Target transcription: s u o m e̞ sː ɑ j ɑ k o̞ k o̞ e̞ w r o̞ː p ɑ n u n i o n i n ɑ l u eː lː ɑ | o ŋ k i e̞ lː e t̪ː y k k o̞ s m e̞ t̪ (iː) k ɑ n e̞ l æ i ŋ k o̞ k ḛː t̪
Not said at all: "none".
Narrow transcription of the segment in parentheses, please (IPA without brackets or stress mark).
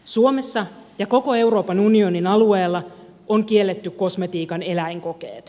iː